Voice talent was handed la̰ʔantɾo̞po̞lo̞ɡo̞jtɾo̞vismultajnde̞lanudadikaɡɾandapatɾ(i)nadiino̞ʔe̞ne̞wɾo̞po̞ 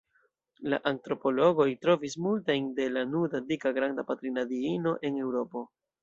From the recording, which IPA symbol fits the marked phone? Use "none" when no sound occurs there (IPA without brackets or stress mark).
i